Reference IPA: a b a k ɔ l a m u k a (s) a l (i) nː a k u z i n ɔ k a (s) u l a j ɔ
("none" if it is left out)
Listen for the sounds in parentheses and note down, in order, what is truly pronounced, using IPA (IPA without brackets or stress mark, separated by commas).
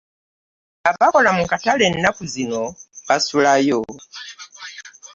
t, ɛ, s